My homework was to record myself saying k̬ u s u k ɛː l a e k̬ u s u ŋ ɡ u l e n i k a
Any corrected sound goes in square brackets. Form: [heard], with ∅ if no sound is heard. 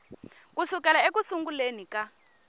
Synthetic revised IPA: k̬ u s u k [ɛ] l a e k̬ u s u ŋ ɡ u l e n i k a